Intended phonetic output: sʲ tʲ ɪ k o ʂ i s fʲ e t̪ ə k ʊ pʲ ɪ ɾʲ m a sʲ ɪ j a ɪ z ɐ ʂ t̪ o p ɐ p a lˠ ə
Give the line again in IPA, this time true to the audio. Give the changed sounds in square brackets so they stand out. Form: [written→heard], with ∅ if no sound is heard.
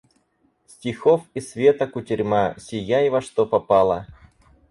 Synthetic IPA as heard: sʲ tʲ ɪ [k→x] o [ʂ→f] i s [fʲ→vʲ] e t̪ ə k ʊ [pʲ→tʲ] ɪ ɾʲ m a sʲ ɪ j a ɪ [z→v] ɐ ʂ t̪ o p ɐ p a lˠ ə